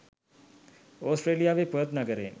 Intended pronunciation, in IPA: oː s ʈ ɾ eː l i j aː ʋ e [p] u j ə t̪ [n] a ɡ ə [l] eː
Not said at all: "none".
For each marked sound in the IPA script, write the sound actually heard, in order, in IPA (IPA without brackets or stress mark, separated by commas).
p, n, ɾ